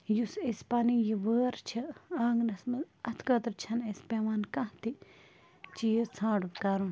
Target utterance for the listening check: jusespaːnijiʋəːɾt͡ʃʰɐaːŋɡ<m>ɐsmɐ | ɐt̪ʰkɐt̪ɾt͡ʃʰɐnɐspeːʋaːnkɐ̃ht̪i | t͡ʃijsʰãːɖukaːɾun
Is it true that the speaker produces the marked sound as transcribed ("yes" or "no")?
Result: no